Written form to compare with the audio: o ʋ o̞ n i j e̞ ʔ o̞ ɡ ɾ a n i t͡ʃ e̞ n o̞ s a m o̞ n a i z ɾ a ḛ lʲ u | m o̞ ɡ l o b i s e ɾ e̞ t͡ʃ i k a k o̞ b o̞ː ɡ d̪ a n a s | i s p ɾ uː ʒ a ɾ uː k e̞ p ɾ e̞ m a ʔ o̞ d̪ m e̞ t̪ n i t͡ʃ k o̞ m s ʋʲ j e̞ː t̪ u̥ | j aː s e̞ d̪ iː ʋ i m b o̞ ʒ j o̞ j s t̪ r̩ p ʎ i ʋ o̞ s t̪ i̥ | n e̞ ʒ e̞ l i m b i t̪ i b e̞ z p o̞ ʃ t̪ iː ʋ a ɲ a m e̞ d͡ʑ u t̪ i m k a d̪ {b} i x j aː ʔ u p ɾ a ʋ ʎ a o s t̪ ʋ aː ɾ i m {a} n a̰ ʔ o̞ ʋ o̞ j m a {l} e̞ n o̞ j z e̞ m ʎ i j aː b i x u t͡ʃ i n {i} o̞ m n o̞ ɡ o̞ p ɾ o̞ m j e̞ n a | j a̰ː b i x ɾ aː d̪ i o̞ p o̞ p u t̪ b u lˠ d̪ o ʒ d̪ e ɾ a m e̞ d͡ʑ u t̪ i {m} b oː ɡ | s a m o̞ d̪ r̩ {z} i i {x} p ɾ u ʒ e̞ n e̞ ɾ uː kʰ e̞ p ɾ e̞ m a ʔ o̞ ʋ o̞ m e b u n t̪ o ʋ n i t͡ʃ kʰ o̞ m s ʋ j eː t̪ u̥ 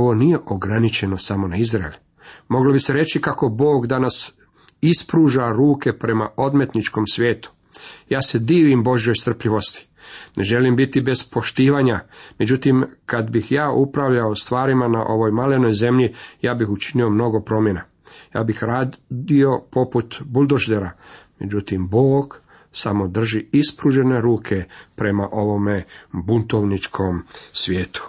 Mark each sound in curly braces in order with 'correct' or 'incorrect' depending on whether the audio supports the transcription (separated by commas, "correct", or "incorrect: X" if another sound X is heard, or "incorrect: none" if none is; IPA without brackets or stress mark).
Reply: correct, correct, correct, correct, correct, incorrect: ʒ, incorrect: s